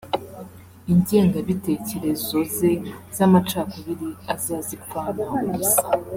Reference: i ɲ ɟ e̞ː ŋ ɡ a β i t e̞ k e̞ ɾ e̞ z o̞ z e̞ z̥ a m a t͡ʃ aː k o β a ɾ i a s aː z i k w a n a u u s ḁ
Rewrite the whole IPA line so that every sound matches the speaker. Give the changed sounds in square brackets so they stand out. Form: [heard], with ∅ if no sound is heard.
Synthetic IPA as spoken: i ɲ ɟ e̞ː ŋ ɡ a β i t e̞ [c] e̞ ɾ e̞ z o̞ z e̞ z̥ a m a t͡ʃ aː k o β [i] ɾ i a [z] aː z i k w a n a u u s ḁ